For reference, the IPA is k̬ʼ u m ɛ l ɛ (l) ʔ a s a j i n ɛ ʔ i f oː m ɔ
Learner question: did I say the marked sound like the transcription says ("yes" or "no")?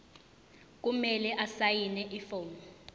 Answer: no